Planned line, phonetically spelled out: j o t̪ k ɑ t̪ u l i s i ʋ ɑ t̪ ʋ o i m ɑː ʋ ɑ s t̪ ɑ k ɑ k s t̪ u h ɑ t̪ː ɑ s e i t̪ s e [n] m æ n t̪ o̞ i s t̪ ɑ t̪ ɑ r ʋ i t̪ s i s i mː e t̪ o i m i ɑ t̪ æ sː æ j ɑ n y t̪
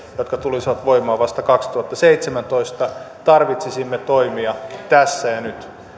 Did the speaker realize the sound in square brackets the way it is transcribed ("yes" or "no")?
no